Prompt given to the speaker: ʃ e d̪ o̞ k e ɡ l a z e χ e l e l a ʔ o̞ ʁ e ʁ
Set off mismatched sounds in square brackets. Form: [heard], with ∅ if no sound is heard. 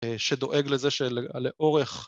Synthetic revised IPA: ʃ e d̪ o̞ [ʔ] e ɡ l [e] z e [ʃ] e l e l [e] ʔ o̞ ʁ e [χ]